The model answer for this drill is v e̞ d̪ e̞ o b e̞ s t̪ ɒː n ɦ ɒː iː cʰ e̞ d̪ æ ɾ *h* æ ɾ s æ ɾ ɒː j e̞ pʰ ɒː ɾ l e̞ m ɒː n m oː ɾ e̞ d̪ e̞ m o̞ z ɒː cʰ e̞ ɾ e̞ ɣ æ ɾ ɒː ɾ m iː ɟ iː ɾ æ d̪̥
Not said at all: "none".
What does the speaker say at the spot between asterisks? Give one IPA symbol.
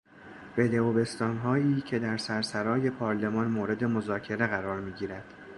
s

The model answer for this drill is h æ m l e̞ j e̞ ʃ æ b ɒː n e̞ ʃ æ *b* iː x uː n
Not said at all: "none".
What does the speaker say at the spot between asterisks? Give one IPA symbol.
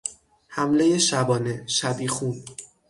b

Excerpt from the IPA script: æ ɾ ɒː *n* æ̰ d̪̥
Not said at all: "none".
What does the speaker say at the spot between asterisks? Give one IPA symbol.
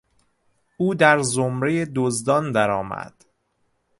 m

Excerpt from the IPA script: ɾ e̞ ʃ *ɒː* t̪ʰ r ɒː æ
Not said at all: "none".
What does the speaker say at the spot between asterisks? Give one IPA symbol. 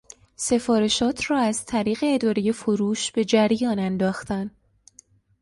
ɒː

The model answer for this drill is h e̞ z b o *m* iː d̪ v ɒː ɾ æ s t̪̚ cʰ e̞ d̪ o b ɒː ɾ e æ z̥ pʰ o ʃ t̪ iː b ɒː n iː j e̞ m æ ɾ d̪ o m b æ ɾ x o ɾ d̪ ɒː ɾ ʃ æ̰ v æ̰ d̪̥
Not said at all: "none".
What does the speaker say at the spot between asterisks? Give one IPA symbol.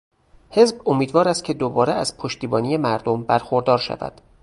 m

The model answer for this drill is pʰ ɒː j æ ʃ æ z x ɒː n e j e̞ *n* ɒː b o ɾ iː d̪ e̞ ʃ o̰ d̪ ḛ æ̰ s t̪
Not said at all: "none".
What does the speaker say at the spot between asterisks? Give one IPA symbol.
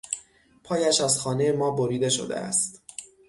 m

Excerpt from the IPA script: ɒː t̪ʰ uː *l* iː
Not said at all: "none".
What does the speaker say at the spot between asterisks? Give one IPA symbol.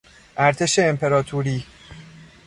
ɾ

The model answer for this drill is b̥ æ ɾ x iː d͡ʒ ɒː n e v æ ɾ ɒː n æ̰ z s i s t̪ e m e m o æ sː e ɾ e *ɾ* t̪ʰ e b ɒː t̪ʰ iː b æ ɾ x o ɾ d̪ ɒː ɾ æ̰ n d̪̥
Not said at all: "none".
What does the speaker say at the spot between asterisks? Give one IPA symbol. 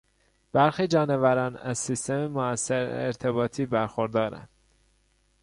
ɾ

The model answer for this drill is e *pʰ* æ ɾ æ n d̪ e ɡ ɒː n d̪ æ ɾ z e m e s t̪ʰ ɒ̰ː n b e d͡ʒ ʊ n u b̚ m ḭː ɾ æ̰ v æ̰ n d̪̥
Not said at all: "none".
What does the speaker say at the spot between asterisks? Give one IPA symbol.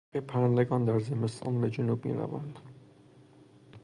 pʰ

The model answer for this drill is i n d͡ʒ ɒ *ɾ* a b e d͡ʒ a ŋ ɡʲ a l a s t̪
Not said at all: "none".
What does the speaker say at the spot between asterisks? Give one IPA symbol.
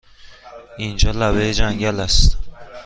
l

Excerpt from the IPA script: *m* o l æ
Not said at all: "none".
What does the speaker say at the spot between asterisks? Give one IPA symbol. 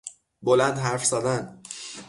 b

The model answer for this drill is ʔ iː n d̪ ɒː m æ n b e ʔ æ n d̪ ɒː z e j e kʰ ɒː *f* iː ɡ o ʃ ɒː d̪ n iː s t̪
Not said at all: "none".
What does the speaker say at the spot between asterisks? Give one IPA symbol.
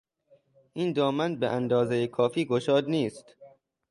f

